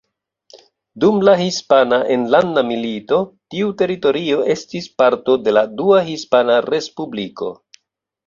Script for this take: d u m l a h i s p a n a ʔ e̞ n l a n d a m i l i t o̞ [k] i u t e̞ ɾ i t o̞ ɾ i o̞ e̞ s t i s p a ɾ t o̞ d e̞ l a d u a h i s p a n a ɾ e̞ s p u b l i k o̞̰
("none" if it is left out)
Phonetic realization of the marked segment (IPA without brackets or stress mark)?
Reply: t